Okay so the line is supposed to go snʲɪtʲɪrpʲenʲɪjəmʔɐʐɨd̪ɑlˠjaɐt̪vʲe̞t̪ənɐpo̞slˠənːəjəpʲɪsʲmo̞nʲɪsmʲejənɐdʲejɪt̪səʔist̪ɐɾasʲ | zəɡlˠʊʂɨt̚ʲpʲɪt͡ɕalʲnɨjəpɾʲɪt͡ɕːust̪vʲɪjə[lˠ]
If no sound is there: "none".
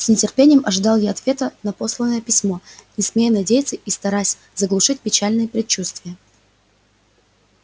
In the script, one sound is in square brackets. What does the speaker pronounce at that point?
none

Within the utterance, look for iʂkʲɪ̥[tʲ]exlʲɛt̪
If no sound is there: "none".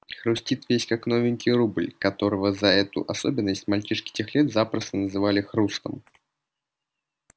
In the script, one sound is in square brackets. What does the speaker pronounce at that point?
tʲ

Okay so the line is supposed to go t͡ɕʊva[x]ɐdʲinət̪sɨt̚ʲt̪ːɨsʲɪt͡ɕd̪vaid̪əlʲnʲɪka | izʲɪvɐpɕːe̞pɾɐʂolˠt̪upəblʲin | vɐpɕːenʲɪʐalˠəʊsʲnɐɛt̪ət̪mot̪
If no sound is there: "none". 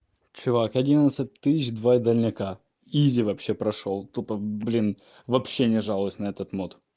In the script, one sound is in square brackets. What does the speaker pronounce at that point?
k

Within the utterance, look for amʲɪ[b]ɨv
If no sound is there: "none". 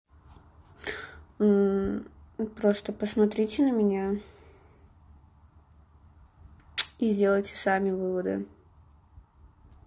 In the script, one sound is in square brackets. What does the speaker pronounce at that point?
v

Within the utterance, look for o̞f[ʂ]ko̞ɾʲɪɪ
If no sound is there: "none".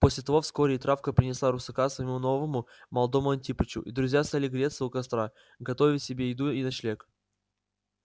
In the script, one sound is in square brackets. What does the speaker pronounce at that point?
s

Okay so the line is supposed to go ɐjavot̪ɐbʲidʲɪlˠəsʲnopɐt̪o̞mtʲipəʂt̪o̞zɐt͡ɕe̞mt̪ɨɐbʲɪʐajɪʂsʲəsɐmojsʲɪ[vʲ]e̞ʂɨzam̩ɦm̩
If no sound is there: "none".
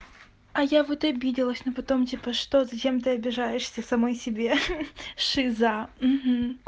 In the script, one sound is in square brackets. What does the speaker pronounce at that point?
bʲ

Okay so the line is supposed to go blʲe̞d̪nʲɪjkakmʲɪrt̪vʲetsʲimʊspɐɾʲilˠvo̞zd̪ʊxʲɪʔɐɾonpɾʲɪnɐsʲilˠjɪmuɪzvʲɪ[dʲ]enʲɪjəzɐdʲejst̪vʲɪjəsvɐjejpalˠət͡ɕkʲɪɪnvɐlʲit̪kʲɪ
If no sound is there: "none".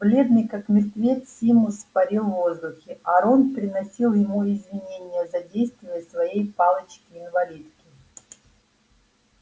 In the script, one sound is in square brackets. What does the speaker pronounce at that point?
nʲ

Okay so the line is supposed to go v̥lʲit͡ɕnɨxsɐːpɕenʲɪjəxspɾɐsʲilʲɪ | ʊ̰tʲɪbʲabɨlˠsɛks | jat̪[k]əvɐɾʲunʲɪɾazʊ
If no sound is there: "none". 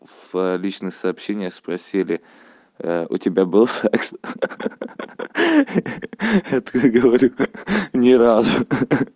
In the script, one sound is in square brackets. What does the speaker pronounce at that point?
ɡ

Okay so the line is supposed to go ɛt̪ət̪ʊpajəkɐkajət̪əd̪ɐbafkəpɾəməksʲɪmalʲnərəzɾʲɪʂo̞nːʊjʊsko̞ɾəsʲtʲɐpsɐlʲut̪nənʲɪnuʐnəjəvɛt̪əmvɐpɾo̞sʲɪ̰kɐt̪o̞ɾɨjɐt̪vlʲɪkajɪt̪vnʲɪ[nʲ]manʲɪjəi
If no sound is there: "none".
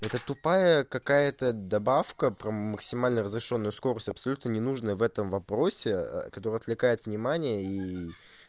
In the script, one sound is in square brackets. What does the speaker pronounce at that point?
none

